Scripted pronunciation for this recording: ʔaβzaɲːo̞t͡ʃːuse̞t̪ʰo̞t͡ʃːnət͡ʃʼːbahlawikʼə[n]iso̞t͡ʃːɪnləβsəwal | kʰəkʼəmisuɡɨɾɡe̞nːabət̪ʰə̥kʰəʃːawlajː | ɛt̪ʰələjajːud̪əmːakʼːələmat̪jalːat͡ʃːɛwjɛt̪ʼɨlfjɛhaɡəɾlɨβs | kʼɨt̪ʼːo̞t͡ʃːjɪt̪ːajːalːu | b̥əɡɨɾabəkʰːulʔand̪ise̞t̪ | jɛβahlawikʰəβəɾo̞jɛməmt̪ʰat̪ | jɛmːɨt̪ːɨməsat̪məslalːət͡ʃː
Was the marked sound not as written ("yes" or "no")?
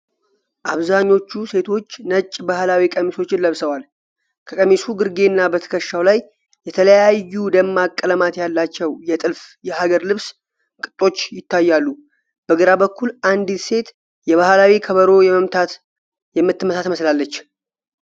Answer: yes